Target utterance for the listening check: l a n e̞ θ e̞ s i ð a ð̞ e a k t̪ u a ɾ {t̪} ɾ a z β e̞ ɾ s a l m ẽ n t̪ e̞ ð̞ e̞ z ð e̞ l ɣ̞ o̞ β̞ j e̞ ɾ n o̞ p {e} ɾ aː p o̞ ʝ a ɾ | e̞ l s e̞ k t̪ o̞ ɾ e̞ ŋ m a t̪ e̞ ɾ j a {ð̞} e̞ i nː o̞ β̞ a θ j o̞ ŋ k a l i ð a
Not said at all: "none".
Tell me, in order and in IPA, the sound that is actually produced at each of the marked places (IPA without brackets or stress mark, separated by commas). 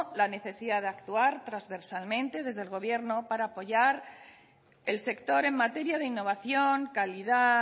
t̪, a, ð̞